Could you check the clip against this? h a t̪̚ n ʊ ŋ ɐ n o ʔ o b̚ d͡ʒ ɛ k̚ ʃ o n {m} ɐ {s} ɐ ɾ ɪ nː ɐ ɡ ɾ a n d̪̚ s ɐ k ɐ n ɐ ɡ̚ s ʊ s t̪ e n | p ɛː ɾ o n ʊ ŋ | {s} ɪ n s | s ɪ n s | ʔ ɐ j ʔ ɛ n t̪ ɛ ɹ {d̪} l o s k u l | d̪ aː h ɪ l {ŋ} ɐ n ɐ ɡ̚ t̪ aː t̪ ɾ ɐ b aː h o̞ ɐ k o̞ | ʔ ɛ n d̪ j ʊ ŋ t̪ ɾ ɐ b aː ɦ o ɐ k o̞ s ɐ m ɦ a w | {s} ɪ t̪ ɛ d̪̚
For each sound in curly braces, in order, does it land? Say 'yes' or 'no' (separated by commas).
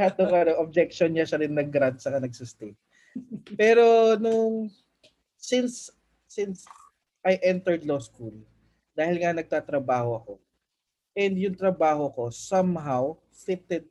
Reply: no, no, yes, yes, yes, no